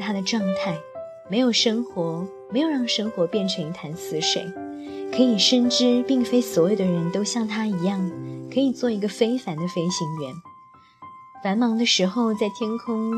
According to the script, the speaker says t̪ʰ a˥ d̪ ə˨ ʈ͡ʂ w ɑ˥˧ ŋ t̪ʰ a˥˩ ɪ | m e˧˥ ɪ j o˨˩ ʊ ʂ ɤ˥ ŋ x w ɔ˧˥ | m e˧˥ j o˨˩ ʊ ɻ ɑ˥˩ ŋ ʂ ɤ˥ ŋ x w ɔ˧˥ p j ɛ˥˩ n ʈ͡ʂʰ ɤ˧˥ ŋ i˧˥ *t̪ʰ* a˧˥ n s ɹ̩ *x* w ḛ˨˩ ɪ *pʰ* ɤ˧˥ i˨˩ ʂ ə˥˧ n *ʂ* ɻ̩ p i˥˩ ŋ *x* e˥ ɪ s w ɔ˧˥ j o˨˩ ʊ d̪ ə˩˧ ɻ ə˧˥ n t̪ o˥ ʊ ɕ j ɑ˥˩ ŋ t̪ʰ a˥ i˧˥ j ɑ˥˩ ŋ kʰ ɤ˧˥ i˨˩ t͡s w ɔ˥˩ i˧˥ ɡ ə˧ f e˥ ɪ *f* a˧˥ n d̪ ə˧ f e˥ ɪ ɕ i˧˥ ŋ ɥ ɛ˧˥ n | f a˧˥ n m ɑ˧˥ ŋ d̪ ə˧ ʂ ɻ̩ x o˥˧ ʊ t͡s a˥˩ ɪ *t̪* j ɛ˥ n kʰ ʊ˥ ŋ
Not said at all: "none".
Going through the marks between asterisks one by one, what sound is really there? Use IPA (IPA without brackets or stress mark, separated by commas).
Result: t̪ʰ, ʂ, kʰ, ʈ͡ʂ, f, f, t̪ʰ